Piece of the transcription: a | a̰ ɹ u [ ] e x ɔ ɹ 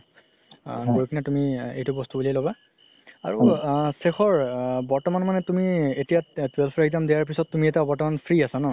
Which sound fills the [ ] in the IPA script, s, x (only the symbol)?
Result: s